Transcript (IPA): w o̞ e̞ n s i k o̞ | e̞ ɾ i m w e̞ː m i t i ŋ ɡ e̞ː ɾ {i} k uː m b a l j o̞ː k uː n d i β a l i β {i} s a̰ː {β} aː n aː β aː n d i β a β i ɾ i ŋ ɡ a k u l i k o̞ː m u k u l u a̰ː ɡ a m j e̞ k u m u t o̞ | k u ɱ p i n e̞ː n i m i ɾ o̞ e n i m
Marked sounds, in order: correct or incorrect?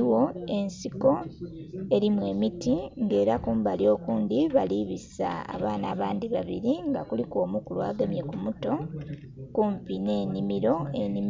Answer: incorrect: a, correct, correct

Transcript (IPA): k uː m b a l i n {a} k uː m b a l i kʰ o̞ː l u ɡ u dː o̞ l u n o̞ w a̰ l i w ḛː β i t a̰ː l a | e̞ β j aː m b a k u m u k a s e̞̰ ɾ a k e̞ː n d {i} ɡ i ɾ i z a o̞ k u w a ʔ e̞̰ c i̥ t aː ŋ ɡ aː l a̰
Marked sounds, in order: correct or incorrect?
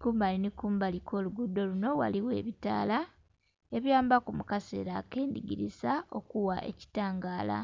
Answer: incorrect: i, correct

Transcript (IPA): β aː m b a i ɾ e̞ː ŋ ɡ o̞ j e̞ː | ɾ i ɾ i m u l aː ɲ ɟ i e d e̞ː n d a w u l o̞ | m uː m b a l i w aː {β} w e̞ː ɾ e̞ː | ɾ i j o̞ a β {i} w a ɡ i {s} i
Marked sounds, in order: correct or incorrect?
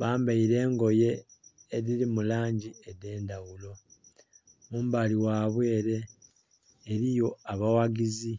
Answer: correct, incorrect: a, incorrect: z

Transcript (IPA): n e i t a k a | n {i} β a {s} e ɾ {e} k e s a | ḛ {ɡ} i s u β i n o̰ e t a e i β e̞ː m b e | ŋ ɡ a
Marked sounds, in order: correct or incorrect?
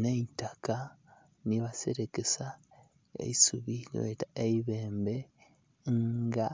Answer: correct, correct, correct, incorrect: none

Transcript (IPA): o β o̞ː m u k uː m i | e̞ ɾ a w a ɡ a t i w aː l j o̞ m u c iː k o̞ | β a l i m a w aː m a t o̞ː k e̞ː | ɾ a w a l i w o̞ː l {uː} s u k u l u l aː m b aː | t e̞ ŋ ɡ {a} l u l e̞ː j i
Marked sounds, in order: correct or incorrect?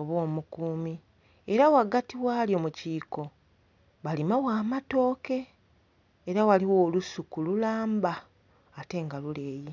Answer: incorrect: u, correct

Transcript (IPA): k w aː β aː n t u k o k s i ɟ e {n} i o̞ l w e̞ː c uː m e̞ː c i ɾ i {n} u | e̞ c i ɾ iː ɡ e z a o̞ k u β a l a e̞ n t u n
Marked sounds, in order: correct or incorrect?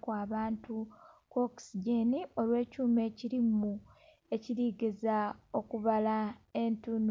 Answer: correct, incorrect: m

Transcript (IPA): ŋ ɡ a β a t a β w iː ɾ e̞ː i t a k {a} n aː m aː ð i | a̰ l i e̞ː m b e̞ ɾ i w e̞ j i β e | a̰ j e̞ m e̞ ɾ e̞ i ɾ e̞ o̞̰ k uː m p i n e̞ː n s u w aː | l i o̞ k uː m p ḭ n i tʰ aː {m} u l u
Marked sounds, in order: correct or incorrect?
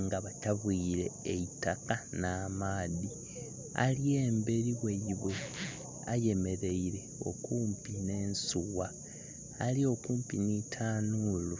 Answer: correct, incorrect: n

